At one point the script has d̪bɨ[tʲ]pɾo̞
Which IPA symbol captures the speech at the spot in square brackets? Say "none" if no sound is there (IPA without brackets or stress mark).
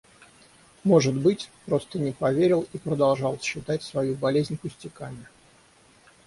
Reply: tʲ